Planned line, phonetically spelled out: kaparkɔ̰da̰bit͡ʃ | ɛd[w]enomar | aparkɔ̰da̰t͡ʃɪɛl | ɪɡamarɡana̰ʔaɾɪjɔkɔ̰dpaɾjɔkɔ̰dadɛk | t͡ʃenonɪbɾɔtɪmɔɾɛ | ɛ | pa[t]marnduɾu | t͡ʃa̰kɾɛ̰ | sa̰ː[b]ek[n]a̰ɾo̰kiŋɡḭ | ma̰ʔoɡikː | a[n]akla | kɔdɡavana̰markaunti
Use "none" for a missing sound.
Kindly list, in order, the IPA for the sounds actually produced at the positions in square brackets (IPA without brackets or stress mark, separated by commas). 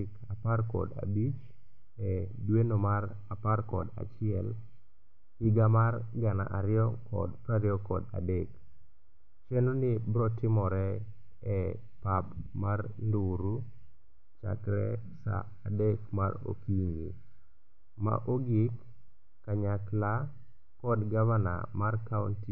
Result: w, p, d, m, ɲ